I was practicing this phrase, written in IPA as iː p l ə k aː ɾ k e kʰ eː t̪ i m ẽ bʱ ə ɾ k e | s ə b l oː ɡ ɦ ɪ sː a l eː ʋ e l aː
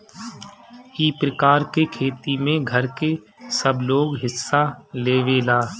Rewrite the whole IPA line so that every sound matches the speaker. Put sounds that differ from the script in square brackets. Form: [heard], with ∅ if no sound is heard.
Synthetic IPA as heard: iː p [ɾ] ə k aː ɾ k e kʰ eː t̪ i m ẽ [ɡʱ] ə ɾ k e | s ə b l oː ɡ ɦ ɪ sː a l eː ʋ e l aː